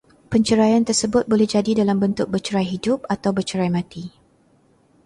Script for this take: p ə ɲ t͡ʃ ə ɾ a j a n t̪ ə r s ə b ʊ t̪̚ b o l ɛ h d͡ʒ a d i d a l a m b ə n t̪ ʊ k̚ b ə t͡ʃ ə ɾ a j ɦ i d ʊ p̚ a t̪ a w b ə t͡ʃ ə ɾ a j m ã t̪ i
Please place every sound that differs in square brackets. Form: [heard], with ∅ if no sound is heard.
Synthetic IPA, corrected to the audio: p ə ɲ t͡ʃ ə ɾ a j a n t̪ ə r s ə b ʊ t̪̚ b o l ɛ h d͡ʒ a d i d a l a m b ə n t̪ ʊ k̚ b ə t͡ʃ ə ɾ a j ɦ i d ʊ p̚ a t̪ a w b ə t͡ʃ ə ɾ a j m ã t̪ i